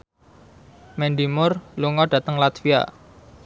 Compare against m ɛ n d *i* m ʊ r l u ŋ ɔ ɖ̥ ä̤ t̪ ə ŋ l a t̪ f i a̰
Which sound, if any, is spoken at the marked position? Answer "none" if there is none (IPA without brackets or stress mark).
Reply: i